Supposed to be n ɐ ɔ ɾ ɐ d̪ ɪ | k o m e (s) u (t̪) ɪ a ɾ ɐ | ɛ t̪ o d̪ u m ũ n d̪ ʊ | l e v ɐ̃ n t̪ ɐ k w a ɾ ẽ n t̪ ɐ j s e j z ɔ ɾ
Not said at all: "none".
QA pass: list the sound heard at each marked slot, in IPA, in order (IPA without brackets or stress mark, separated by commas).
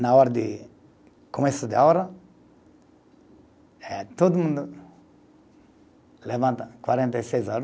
s, d̪